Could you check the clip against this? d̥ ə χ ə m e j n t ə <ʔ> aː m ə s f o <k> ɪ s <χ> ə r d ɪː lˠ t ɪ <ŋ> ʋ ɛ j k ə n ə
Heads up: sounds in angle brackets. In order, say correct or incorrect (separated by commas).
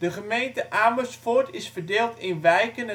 correct, incorrect, incorrect, incorrect